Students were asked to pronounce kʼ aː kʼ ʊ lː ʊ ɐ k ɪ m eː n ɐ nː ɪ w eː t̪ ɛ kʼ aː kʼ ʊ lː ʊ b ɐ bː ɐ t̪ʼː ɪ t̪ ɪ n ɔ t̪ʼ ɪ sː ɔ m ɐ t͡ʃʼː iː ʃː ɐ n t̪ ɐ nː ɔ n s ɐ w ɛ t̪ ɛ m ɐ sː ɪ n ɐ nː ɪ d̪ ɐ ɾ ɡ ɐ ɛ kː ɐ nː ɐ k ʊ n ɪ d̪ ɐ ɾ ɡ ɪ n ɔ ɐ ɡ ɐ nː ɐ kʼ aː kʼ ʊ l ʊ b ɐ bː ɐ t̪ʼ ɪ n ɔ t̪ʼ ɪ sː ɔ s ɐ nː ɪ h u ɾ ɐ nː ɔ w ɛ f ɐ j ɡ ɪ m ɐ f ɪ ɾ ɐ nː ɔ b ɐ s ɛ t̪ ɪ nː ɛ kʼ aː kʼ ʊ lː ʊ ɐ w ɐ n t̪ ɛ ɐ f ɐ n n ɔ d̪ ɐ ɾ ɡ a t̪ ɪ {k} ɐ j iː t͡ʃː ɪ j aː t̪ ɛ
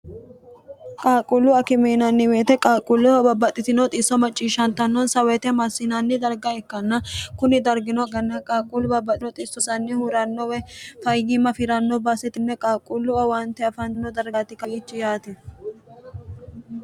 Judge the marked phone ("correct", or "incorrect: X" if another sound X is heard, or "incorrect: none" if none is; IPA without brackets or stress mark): correct